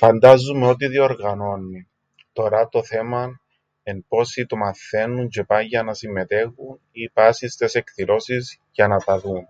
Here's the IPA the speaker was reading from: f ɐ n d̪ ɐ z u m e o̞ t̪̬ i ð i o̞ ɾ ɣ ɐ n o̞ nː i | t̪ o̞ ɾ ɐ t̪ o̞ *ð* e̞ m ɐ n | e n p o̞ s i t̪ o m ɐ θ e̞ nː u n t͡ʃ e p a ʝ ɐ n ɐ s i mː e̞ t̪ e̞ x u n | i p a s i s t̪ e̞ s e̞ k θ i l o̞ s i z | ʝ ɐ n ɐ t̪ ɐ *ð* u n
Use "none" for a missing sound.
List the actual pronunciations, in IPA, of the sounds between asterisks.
θ, ð

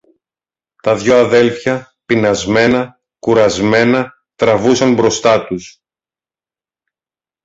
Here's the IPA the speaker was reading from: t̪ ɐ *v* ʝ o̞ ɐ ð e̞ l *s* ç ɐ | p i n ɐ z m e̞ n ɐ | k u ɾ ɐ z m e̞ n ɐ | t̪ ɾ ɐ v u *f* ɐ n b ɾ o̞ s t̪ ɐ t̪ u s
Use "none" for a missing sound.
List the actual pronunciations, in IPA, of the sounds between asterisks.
ð, f, s

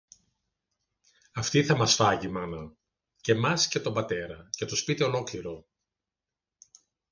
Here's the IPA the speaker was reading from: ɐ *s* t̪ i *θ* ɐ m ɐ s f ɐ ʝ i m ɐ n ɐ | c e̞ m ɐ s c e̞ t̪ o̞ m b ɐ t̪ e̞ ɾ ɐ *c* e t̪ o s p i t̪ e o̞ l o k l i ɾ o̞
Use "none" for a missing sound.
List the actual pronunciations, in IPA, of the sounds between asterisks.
f, θ, c

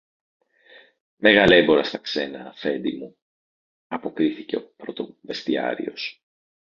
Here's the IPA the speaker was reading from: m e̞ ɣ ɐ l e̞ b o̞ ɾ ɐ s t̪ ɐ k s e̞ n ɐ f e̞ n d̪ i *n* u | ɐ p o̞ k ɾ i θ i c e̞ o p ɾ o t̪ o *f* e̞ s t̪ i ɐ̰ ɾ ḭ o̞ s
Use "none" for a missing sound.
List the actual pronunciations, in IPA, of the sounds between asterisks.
m, v

